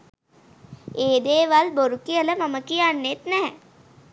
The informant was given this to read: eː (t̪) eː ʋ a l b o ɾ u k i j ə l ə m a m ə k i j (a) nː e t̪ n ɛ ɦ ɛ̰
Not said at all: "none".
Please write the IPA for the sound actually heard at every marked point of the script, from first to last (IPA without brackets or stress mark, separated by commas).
d̪, a